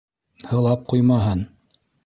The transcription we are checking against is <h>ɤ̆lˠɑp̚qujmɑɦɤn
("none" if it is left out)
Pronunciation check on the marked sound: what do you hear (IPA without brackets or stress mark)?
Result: h